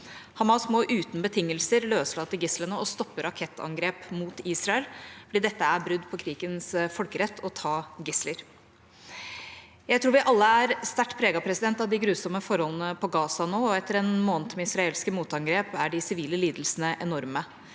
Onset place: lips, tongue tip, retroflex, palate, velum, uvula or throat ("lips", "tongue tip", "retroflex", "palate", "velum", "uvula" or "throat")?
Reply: throat